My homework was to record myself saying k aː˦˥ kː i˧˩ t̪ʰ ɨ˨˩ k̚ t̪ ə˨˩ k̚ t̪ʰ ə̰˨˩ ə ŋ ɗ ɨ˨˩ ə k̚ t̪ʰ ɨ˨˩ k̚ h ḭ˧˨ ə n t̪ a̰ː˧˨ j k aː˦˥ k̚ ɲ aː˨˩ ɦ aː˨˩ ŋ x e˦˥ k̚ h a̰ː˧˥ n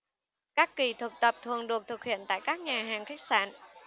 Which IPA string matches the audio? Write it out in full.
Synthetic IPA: k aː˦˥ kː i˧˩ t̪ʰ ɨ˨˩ k̚ t̪ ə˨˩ p̚ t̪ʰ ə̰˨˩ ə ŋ ɗ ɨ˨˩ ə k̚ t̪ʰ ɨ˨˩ k̚ h ḭ˧˨ ə n t̪ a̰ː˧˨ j k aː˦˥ k̚ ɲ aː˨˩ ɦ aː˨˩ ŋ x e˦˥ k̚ s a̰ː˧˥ n